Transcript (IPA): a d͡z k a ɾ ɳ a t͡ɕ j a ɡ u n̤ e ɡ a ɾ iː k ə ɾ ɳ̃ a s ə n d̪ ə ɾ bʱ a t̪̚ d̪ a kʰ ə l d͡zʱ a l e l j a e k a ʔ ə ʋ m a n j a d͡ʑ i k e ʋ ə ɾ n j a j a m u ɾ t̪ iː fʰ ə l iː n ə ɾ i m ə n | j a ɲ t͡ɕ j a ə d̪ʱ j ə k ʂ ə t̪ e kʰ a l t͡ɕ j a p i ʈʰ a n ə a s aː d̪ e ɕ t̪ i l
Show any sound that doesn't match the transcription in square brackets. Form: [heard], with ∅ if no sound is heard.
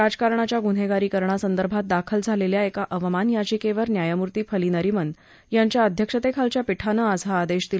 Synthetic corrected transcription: a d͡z k a ɾ ɳ a t͡ɕ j a ɡ u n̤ e ɡ a ɾ iː k ə ɾ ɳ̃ a s ə n d̪ ə ɾ bʱ a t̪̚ d̪ a kʰ ə l d͡zʱ a l e l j a e k a ʔ ə ʋ m a n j a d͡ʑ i k e ʋ ə ɾ n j a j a m u ɾ t̪ iː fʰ ə l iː n ə ɾ i m ə n | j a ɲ t͡ɕ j a ə d̪ʱ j ə k ʂ ə t̪ e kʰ a l t͡ɕ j a p i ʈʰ a n ə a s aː d̪ e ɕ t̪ i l